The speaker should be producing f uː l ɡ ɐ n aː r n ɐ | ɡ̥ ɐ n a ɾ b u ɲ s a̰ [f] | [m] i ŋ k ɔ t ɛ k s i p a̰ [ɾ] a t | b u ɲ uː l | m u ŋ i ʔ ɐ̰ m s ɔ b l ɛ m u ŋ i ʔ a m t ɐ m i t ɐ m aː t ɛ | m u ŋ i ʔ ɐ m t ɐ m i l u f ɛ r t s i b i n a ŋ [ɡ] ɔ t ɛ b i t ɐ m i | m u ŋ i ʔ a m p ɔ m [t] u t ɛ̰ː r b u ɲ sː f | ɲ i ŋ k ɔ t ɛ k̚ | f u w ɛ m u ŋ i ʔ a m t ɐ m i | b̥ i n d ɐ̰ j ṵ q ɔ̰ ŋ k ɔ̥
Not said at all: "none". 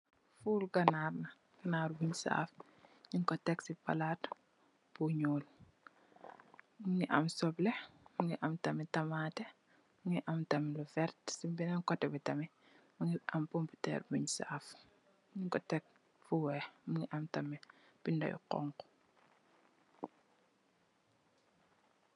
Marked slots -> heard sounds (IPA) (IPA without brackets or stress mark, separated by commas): f, ɲ, l, k, p